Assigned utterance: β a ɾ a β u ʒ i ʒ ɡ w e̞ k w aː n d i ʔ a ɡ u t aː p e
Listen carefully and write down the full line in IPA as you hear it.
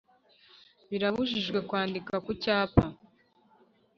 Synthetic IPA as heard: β i ɾ a β u ʒ i ʒ ɡ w e̞ k w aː n d i k a k u c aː p a